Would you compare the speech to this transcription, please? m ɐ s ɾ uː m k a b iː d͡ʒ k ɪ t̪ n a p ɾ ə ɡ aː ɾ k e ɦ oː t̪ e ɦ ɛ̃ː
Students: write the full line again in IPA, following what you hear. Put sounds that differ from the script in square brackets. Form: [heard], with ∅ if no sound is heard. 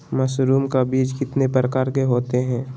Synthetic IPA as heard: m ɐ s ɾ uː m k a b iː d͡ʒ k ɪ t̪ n [e] p ɾ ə [k] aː ɾ k e ɦ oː t̪ e ɦ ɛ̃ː